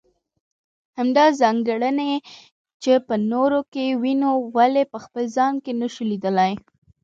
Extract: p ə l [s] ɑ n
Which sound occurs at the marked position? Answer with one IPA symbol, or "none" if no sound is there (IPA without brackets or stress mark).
z